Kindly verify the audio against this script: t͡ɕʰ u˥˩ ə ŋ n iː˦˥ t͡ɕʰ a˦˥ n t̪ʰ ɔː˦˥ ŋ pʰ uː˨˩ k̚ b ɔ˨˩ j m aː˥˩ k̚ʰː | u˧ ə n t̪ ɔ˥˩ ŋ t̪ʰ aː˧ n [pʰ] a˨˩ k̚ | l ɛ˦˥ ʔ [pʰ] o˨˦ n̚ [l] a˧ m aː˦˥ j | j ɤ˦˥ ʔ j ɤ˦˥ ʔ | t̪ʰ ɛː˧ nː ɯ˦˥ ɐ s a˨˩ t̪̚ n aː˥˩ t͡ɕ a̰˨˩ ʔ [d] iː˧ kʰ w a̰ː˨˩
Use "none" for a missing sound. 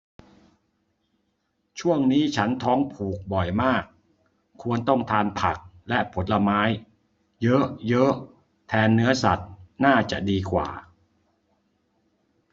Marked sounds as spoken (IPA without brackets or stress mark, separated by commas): pʰ, pʰ, l, d